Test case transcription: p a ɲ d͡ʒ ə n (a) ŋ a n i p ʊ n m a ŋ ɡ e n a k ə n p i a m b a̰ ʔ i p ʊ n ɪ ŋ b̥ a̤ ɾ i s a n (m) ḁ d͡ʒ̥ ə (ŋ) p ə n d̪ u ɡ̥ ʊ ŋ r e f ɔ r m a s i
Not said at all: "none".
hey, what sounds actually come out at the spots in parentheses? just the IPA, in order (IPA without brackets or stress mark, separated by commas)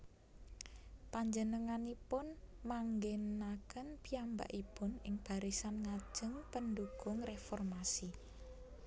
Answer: ə, ŋ, ŋ